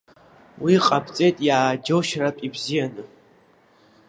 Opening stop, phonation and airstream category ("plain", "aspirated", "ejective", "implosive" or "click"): ejective